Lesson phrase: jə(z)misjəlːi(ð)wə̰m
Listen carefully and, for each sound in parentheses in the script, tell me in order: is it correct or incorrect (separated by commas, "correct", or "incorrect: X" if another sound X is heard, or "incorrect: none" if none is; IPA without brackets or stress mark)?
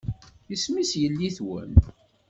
incorrect: s, incorrect: θ